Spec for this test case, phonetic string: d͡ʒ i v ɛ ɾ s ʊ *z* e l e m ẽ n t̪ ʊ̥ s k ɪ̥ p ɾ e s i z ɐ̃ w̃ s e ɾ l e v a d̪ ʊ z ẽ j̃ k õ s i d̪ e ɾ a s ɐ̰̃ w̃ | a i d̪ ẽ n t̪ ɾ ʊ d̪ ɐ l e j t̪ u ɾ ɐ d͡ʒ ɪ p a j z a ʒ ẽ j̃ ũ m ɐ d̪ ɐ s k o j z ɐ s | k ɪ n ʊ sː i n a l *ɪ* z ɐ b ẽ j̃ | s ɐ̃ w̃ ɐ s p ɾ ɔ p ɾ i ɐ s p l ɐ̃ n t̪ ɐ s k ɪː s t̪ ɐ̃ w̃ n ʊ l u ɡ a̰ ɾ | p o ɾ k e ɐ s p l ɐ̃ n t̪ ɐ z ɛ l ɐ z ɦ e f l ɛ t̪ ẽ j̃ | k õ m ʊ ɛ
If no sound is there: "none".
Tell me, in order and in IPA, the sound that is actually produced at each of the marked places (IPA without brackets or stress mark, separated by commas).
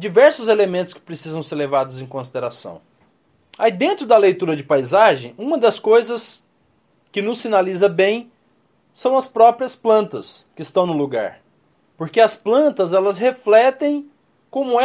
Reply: z, i